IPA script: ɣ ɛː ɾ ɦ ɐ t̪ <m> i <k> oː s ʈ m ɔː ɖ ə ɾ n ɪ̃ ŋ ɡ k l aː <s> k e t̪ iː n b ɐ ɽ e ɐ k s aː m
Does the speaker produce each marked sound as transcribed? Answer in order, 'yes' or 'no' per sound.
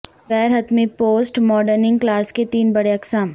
yes, no, yes

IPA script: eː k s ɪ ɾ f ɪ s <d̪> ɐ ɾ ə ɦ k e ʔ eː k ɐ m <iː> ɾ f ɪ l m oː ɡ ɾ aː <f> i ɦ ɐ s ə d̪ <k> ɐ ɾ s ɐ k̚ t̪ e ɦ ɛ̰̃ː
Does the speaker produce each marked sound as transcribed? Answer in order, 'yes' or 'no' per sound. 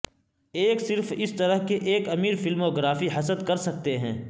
no, yes, yes, yes

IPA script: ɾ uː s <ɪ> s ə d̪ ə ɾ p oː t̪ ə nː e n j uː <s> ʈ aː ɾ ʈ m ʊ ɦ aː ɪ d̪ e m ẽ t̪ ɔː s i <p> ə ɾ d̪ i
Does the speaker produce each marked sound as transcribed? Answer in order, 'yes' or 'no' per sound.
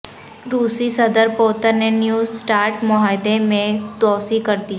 no, yes, no

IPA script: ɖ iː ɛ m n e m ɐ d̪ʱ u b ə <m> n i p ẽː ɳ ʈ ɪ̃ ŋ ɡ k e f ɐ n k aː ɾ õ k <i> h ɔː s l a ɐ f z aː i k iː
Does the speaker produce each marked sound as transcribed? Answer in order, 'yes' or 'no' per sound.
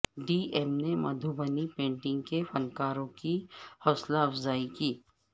no, yes

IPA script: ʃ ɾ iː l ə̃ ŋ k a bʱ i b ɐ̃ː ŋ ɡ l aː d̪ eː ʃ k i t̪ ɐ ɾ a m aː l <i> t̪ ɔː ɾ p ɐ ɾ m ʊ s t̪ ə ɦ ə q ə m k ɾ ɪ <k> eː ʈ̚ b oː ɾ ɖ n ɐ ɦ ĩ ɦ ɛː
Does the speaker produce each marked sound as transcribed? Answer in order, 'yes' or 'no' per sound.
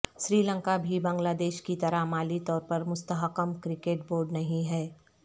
yes, yes

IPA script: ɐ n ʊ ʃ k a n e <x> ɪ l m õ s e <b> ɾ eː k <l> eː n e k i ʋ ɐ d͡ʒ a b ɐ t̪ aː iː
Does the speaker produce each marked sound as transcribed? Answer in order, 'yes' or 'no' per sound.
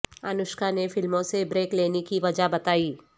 no, yes, yes

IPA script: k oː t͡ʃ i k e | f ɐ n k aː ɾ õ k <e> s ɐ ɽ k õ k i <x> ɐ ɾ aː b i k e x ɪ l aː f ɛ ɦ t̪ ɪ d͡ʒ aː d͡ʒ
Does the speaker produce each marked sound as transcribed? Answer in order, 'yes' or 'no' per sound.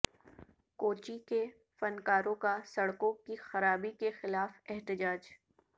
no, yes

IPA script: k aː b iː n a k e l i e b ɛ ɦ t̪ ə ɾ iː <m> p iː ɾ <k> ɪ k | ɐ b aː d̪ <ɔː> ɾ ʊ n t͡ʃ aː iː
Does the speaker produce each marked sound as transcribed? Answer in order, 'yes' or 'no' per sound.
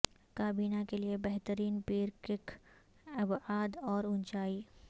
no, yes, yes

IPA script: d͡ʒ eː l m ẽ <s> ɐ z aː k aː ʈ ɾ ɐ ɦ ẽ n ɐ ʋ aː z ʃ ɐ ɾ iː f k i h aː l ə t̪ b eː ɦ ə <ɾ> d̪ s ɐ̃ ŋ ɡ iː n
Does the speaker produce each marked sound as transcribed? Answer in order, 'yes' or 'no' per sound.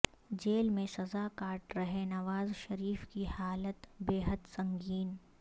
yes, no

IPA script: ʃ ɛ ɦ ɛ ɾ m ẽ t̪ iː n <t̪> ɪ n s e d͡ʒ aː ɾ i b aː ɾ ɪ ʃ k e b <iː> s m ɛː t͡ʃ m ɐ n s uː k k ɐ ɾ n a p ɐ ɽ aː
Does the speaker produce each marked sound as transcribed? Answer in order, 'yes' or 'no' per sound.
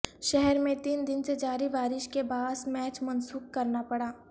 no, no

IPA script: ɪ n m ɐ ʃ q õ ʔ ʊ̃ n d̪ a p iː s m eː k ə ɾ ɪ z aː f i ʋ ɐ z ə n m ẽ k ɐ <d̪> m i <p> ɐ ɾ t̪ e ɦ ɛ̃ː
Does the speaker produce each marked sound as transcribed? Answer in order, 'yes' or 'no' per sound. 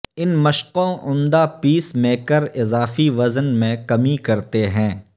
no, no

